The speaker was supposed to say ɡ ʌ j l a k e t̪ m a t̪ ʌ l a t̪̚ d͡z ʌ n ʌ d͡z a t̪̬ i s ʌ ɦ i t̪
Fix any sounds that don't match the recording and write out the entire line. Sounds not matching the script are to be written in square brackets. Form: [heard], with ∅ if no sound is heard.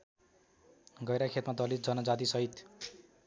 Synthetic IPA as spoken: ɡ ʌ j [ɾ] a [kʰ] e t̪ m a [d̪] ʌ l [i] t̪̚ d͡z ʌ n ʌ d͡z a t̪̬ i s ʌ ɦ i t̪